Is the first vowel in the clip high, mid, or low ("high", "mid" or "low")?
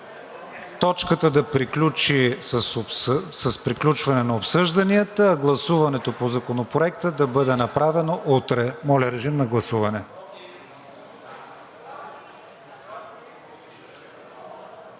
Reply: mid